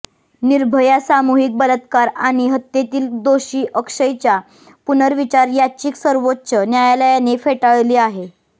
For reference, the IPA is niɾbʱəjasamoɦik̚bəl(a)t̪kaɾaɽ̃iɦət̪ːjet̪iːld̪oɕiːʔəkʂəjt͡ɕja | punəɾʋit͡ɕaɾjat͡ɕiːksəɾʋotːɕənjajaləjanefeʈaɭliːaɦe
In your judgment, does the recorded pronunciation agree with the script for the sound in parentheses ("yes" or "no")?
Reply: no